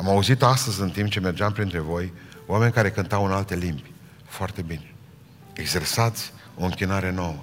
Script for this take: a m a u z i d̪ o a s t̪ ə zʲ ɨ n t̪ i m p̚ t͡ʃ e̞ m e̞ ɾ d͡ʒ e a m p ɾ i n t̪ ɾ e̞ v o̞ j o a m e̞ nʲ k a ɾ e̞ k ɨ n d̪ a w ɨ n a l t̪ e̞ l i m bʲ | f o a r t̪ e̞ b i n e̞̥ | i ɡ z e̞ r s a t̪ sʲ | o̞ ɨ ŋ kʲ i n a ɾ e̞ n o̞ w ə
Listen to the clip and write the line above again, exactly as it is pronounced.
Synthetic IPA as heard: a m a u z i t̪ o a s t̪ ə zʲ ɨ n t̪ i m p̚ t͡ʃ e̞ m e̞ r d͡ʒ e a m p ɾ i n t̪ ɾ e̞ v o̞ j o a m e̞ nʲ k a ɾ e̞ k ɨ n t̪ a w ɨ n a l t̪ e̞ l i m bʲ | f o a r t̪ e̞ b i n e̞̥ | e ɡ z e̞ r s a t̪ sʲ | o̞ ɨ ŋ kʲ i n a ɾ e̞ n o̞ w ə